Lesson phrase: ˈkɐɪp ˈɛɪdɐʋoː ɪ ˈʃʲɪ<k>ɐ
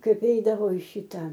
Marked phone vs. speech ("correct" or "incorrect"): incorrect